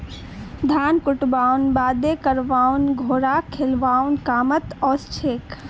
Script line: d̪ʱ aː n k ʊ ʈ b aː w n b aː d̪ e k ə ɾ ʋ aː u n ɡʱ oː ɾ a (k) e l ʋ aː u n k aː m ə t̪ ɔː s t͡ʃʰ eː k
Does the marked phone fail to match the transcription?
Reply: yes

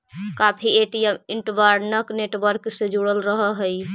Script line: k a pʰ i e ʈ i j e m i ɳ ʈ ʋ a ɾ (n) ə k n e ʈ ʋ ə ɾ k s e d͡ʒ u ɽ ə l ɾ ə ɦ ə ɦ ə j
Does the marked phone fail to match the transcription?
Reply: no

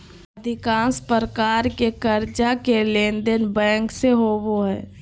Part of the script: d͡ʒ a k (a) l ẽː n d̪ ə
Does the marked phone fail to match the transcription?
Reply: yes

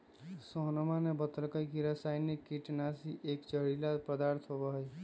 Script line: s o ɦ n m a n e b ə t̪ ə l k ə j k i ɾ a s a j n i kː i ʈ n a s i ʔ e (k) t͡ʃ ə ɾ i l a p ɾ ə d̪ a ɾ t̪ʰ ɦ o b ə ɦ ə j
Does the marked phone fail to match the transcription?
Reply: no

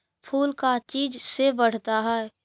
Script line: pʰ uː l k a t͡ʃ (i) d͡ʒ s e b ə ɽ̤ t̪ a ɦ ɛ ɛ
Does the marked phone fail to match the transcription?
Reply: yes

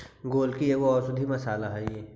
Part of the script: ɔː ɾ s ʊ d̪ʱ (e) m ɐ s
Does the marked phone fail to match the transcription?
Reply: yes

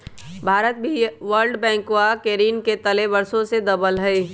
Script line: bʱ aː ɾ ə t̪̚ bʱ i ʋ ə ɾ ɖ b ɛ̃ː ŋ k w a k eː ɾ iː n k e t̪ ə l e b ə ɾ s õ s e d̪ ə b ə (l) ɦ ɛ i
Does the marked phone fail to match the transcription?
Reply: no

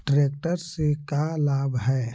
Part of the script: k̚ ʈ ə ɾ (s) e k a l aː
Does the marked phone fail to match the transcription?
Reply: no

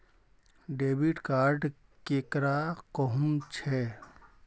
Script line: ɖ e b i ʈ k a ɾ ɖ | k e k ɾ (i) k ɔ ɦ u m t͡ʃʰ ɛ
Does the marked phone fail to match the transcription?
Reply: yes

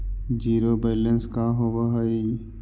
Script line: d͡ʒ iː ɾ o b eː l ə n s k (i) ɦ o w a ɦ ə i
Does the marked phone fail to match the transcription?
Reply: yes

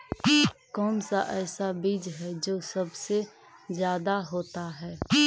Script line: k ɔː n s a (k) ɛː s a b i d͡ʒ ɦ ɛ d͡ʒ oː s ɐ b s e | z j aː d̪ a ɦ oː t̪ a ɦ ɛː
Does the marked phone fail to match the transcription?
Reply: yes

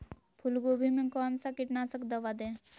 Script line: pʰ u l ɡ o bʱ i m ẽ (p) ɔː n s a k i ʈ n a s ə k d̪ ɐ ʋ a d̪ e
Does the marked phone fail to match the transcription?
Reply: yes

